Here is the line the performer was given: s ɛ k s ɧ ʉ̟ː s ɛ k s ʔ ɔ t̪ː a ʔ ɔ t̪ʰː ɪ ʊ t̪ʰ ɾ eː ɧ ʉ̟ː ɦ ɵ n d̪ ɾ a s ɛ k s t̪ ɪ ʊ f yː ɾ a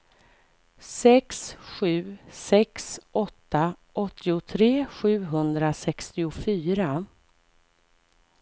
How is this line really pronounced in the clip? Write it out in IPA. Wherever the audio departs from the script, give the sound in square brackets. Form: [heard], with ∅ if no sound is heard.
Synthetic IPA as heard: s ɛ k s ɧ ʉ̟ː s ɛ k s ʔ ɔ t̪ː a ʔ ɔ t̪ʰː ɪ ʊ t̪ʰ ɾ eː ɧ ʉ̟ː ɦ ɵ n d̪ ɾ a s ɛ k s t̪ ɪ ʊ f yː ɾ a

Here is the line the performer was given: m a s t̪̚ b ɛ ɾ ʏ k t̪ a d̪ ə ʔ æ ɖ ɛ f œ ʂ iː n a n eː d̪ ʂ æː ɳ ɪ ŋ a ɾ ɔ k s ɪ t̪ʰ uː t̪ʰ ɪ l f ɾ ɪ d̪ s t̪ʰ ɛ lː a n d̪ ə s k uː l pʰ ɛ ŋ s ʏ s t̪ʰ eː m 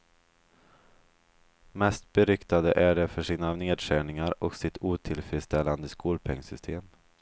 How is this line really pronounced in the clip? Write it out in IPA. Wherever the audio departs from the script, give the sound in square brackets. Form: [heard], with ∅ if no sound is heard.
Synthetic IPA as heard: m [ɛ] s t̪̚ b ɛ ɾ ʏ k t̪ a d̪ ə ʔ æ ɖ ɛ f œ ʂ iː n a n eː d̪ ʂ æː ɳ ɪ ŋ a ɾ ɔ k s ɪ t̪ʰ uː t̪ʰ ɪ l f ɾ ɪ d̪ s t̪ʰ ɛ lː a n d̪ ə s k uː l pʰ ɛ ŋ s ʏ s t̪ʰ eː m

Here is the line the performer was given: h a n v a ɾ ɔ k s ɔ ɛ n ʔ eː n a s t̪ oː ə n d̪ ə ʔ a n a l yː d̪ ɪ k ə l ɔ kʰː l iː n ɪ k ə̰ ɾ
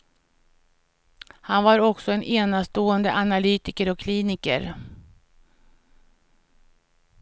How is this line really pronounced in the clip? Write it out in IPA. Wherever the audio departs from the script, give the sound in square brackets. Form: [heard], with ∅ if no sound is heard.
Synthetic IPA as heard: h a n v a ɾ ɔ k s ɔ ɛ n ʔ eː n a s t̪ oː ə n d̪ ə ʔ a n a l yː [t̪] ɪ k ə [ɾ] ɔ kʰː l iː n ɪ k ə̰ ɾ

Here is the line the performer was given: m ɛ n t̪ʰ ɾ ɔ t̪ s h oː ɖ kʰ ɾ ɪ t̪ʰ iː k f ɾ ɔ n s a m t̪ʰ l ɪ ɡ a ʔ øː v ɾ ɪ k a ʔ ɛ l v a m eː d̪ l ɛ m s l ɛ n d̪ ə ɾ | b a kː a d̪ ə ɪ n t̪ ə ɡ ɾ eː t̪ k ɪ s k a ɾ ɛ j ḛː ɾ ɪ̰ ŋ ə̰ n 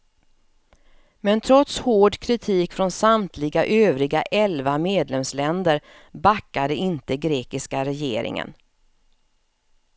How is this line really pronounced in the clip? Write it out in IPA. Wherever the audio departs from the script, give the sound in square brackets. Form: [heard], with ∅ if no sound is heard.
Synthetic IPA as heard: m ɛ n t̪ʰ ɾ ɔ t̪ s h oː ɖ kʰ ɾ ɪ t̪ʰ iː k f ɾ ɔ n s a m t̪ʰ l ɪ ɡ a ʔ øː v ɾ ɪ [ɡ] a ʔ ɛ l v a m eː d̪ l ɛ m s l ɛ n d̪ ə ɾ | b a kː a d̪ ə ɪ n t̪ ə ɡ ɾ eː [∅] k ɪ s k a ɾ ɛ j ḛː ɾ ɪ̰ ŋ ə̰ n

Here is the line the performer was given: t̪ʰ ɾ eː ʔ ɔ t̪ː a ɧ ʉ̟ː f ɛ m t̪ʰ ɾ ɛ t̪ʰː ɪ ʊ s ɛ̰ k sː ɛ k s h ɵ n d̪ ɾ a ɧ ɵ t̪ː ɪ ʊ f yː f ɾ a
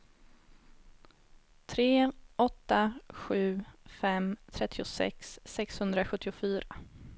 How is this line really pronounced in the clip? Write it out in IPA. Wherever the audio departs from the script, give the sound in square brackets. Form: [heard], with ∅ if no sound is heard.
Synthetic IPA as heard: t̪ʰ ɾ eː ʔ ɔ t̪ː a ɧ ʉ̟ː f ɛ m t̪ʰ ɾ ɛ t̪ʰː ɪ ʊ s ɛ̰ k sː ɛ k s h ɵ n d̪ ɾ a ɧ ɵ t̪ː ɪ ʊ f yː [∅] ɾ a

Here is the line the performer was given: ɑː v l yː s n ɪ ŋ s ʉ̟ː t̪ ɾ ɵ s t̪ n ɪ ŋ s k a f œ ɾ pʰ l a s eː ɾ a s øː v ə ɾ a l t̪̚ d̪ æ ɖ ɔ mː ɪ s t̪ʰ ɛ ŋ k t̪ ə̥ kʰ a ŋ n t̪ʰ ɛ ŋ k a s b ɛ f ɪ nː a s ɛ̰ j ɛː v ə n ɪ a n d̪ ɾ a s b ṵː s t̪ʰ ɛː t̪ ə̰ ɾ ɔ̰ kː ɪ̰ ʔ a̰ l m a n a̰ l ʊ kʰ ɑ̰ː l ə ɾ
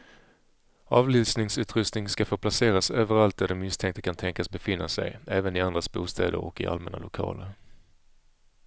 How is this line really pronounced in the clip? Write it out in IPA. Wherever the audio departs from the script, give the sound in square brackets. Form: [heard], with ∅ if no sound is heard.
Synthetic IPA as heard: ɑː v l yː s n ɪ ŋ s ʉ̟ː t̪ ɾ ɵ s t̪ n ɪ ŋ s k a f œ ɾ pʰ l a s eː ɾ a s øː v ə ɾ a l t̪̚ d̪ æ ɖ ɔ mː ɪ s t̪ʰ ɛ ŋ k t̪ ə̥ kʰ a [∅] n t̪ʰ ɛ ŋ k a s b ɛ f ɪ nː a s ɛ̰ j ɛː v ə n ɪ a n d̪ ɾ a s b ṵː s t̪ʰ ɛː [d̪] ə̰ ɾ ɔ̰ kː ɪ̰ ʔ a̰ l m [ɛ] n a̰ l ʊ kʰ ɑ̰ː l ə ɾ

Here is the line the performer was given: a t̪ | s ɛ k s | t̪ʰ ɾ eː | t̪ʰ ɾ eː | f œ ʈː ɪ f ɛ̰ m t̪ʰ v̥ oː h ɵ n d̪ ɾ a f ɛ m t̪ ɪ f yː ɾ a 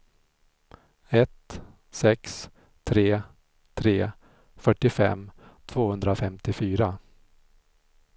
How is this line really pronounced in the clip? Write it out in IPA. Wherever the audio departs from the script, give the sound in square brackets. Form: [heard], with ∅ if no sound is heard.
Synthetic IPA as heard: [ɛ] t̪ | s ɛ k s | t̪ʰ ɾ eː | t̪ʰ ɾ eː | f œ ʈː ɪ f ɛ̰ m t̪ʰ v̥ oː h ɵ n d̪ ɾ a f ɛ m t̪ ɪ f yː ɾ a

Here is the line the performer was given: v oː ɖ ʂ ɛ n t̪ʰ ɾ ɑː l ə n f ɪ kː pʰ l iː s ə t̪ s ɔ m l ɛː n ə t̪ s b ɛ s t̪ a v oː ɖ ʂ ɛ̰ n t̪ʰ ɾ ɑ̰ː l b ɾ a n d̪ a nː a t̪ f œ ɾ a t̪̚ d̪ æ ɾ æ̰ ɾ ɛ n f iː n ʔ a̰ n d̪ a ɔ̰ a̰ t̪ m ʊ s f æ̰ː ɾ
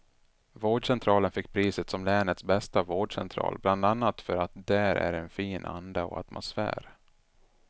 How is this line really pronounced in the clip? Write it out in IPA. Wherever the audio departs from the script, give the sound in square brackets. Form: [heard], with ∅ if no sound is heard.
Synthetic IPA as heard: v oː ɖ ʂ ɛ n t̪ʰ ɾ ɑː l ə n f ɪ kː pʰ [ɾ] iː s ə t̪ s ɔ m l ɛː n ə t̪ s b ɛ s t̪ a v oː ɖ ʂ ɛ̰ n t̪ʰ ɾ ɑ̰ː l b [l] a n d̪ a nː a t̪ f œ ɾ a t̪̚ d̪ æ ɾ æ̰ ɾ ɛ n f iː n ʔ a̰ n d̪ a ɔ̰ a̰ t̪ m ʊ s f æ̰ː ɾ

